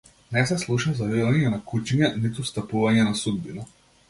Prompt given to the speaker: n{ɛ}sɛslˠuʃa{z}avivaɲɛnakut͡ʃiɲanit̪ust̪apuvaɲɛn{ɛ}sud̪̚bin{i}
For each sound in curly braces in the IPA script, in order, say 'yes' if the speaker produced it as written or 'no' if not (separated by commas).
yes, yes, no, no